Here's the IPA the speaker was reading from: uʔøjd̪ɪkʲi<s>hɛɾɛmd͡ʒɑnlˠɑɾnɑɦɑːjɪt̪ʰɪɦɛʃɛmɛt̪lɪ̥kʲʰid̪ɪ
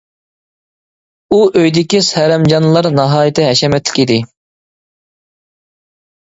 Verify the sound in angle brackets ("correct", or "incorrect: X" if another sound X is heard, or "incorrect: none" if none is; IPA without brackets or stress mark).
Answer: correct